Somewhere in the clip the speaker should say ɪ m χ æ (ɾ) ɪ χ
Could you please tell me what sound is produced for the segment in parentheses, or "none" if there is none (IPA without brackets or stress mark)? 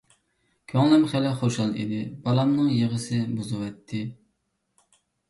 l